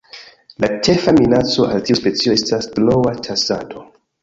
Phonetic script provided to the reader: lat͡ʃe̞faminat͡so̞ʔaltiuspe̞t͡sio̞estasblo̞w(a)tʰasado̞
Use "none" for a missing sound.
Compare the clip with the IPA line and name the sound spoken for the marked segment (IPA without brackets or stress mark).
a